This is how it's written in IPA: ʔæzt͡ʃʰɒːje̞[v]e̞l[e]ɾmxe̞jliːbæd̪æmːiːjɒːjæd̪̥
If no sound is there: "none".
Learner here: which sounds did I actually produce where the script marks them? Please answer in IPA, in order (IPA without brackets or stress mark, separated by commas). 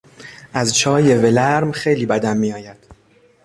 v, æ